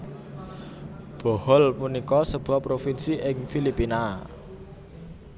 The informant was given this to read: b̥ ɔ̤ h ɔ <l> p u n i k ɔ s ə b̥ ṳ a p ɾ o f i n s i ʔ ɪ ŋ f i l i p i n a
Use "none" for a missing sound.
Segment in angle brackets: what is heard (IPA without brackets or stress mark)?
l